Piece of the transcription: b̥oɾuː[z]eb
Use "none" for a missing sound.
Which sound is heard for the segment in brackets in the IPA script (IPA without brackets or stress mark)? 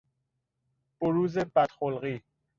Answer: z